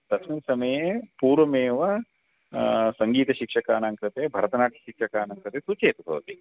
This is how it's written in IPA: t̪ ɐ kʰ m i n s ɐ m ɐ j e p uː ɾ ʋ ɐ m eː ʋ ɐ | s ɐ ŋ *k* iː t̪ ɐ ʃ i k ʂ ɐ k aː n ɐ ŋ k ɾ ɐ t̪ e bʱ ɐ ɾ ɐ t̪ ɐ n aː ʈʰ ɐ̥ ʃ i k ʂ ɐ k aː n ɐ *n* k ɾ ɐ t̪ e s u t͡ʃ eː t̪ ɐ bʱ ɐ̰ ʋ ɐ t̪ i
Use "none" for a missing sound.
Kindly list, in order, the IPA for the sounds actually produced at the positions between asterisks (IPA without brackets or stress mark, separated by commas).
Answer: ɡ, ŋ